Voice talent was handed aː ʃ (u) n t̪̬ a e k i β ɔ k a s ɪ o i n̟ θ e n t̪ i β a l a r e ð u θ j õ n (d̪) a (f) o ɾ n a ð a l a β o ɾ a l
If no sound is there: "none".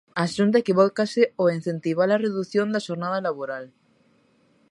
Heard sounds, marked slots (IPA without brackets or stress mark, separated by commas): u, d̪, ʃ